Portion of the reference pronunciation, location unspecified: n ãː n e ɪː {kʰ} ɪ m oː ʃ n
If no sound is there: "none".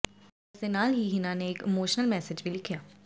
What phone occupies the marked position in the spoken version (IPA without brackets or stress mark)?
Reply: k